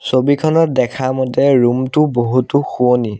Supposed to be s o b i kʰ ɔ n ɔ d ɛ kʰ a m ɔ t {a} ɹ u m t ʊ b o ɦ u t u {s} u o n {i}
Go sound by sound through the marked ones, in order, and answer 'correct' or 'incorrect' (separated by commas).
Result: incorrect, incorrect, correct